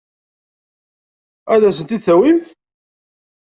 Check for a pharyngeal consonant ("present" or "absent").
absent